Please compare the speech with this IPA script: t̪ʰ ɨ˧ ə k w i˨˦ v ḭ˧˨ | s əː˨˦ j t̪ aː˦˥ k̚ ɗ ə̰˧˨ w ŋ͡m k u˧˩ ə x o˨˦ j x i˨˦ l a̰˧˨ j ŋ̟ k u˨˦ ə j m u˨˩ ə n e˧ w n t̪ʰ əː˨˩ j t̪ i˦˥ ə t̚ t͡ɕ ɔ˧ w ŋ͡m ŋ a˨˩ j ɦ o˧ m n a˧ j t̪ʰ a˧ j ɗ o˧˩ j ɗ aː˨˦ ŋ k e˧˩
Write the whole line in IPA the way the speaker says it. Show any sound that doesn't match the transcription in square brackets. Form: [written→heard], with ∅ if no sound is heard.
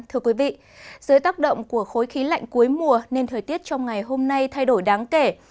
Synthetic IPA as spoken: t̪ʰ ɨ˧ ə k w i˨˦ v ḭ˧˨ | [s→z] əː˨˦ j t̪ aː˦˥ k̚ ɗ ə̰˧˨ w ŋ͡m k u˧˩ ə x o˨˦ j x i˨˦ l a̰˧˨ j ŋ̟ k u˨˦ ə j m u˨˩ ə n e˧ [w→∅] n t̪ʰ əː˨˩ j t̪ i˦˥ ə t̚ t͡ɕ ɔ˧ w ŋ͡m ŋ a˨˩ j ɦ o˧ m n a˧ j t̪ʰ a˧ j ɗ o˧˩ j ɗ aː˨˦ ŋ k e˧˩